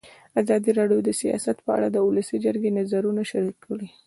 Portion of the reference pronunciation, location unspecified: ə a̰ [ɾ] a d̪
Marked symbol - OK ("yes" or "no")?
no